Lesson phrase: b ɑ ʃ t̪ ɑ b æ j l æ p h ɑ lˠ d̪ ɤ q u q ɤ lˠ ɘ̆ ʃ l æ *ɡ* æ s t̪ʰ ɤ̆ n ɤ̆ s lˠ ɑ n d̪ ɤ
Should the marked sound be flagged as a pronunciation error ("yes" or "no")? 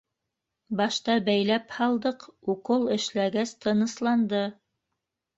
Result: no